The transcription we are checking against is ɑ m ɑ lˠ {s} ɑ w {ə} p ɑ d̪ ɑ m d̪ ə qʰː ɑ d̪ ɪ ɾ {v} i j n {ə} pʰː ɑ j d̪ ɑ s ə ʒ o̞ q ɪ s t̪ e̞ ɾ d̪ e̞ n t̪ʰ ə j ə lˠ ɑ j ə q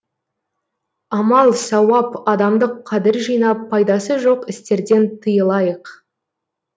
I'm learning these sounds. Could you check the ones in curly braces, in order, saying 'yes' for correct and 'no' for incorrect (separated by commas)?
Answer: yes, no, no, no